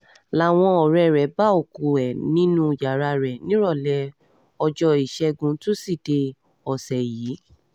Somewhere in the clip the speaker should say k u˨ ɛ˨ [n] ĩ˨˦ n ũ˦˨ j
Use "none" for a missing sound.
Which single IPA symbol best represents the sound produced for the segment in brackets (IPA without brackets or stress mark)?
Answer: n